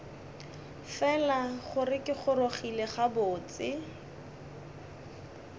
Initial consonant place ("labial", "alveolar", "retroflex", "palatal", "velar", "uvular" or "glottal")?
labial